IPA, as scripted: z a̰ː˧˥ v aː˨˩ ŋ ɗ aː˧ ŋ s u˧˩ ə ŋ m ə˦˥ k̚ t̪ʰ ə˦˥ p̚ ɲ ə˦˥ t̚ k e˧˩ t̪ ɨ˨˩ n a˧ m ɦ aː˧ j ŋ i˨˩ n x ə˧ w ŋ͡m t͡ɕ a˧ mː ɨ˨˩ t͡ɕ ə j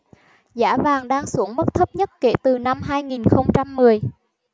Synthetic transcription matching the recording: z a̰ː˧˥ v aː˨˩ ŋ ɗ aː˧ ŋ s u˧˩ ə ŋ m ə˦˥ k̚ t̪ʰ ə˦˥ p̚ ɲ ə˦˥ t̚ k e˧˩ t̪ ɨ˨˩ n a˧ m ɦ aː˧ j ŋ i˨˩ n x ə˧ w ŋ͡m t͡ɕ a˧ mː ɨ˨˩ ə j

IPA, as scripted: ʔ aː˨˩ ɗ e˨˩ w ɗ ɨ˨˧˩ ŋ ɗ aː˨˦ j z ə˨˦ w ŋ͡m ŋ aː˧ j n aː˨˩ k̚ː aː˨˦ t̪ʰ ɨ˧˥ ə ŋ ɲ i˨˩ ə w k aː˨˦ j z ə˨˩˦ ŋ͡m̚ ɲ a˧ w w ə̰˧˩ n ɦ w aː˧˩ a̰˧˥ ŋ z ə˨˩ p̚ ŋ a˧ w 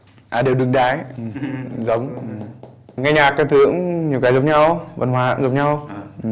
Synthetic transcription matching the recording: ʔ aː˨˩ ɗ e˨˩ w ɗ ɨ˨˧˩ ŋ ɗ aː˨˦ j z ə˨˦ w ŋ͡m ŋ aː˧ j ɲ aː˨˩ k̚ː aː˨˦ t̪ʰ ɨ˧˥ ə ŋ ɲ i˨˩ ə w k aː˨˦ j z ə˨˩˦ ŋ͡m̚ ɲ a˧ w v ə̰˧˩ n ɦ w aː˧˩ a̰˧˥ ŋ z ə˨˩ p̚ ɲ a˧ w

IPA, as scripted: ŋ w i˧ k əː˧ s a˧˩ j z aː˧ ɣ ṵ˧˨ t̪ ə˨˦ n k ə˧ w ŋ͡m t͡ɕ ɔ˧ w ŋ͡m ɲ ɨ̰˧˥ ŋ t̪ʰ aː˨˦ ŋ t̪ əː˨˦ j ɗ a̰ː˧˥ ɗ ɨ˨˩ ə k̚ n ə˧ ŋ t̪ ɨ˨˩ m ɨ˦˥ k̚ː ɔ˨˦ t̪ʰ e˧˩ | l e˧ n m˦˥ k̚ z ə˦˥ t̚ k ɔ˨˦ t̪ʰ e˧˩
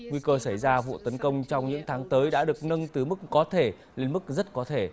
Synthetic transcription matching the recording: ŋ w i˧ k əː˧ s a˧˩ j z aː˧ v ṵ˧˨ t̪ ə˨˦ n k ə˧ w ŋ͡m t͡ɕ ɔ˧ w ŋ͡m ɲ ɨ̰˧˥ ŋ t̪ʰ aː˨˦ ŋ t̪ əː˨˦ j ɗ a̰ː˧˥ ɗ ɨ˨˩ ə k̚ n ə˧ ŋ t̪ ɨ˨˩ m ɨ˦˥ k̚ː ɔ˨˦ t̪ʰ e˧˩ | l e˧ n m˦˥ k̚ z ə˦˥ t̚ k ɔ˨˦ t̪ʰ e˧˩

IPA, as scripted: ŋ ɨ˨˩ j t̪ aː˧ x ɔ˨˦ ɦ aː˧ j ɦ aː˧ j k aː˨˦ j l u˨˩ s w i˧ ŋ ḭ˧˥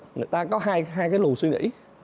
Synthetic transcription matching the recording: ŋ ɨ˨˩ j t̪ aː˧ k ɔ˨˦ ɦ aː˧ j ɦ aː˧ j k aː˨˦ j l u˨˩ s w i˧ ŋ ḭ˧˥

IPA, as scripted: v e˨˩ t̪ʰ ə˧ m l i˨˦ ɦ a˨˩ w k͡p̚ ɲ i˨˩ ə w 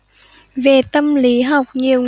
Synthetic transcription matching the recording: v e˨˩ t̪ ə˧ m l i˨˦ ɦ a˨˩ w k͡p̚ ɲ i˨˩ ə w

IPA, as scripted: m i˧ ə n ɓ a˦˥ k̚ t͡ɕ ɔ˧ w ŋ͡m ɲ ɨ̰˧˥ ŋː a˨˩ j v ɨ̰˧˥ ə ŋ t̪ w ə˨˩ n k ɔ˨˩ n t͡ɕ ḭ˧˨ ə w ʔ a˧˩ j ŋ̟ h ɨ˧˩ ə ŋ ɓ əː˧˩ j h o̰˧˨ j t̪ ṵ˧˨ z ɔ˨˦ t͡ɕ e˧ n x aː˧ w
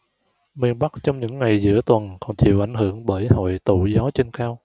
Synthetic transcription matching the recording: m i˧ ə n ɓ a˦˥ k̚ t͡ɕ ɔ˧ w ŋ͡m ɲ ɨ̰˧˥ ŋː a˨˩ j z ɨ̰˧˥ ə t̪ w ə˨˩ n k ɔ˨˩ n t͡ɕ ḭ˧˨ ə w ʔ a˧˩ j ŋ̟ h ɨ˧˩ ə ŋ ɓ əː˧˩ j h o̰˧˨ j t̪ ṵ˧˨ z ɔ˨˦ t͡ɕ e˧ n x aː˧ w

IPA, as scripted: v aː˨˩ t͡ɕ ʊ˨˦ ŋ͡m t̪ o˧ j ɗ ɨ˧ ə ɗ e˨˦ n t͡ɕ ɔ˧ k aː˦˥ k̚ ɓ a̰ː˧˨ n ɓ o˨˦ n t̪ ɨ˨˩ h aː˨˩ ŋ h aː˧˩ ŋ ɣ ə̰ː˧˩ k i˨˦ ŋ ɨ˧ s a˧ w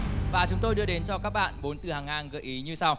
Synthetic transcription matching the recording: v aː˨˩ t͡ɕ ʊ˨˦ ŋ͡m t̪ o˧ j ɗ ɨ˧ ə ɗ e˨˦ n t͡ɕ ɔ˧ k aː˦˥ k̚ ɓ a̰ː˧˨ n ɓ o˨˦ n t̪ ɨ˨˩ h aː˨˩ ŋ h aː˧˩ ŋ ɣ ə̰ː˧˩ ʔ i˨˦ ɲ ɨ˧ s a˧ w

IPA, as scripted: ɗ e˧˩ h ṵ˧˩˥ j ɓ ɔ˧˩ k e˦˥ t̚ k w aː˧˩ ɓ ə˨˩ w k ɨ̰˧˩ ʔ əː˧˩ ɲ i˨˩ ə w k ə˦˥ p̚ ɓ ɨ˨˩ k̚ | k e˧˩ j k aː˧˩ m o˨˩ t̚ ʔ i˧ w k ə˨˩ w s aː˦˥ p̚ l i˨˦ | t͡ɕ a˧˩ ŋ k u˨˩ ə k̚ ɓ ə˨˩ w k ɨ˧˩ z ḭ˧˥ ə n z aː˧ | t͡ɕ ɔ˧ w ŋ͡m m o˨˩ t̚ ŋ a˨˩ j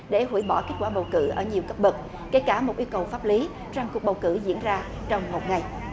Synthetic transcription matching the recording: ɗ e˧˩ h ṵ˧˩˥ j ɓ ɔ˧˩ k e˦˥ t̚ k w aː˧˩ ɓ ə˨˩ w k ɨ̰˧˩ ʔ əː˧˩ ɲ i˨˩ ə w k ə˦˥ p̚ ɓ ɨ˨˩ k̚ | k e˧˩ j k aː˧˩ m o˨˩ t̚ ʔ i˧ w k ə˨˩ w f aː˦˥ p̚ l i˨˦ | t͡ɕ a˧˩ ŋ k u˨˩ ə k̚ ɓ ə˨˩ w k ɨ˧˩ z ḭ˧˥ ə n z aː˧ | t͡ɕ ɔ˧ w ŋ͡m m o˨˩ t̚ ŋ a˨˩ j

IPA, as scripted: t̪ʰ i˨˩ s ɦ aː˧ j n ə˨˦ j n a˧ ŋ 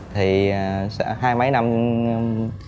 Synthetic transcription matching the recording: t̪ʰ i˨˩ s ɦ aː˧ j m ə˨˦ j n a˧ m

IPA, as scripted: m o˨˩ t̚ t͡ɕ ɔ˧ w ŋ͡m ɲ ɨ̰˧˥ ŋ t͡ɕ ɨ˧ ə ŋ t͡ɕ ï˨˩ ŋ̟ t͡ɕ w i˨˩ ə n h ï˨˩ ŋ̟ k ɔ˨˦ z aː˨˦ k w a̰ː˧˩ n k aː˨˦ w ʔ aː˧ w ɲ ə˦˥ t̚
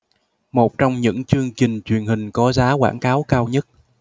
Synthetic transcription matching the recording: m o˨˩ t̚ t͡ɕ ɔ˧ w ŋ͡m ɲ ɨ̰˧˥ ŋ t͡ɕ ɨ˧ ə ŋ t͡ɕ ï˨˩ ŋ̟ t͡ɕ w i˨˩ ə n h ï˨˩ ŋ̟ k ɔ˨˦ z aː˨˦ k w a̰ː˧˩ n k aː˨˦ w k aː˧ w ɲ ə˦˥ t̚

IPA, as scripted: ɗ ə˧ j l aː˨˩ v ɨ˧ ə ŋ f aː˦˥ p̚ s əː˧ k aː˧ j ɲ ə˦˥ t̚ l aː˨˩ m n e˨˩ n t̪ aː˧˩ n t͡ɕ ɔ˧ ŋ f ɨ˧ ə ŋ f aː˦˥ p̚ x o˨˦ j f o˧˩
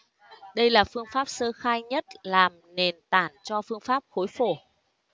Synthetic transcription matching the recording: ɗ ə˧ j l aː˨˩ f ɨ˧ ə ŋ f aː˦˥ p̚ s əː˧ x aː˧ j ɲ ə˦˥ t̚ l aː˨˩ m n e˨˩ n t̪ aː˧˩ n t͡ɕ ɔ˧ f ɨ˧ ə ŋ f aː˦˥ p̚ x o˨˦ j f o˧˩

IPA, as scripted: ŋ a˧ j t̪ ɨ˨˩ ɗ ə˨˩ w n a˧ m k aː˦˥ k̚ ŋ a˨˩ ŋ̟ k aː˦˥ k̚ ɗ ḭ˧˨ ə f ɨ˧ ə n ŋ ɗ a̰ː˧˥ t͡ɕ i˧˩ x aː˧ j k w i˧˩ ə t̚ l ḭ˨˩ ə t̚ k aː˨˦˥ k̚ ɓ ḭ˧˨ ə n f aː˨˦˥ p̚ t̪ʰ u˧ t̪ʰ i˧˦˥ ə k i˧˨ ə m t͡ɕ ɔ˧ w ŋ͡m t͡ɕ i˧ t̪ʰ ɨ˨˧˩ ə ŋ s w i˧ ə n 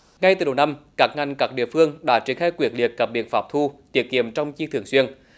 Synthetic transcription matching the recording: ŋ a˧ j t̪ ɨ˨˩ ɗ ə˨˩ w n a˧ m k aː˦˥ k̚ ŋ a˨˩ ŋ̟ k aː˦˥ k̚ ɗ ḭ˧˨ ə f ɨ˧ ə ŋ ɗ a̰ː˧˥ t͡ɕ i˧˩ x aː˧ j k w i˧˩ ə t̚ l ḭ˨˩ ə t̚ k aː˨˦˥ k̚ ɓ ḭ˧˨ ə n f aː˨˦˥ p̚ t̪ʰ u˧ t̪ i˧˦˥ ə k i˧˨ ə m t͡ɕ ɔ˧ w ŋ͡m t͡ɕ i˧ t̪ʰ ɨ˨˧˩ ə ŋ s w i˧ ə n

